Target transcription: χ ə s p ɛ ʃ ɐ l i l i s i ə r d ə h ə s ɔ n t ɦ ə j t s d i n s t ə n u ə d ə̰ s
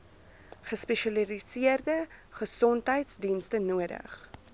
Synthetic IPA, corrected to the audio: χ ə s p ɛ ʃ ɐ l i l i s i ə r d ə χ ə s ɔ n t ɦ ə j t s d i n s t ə n u ə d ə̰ χ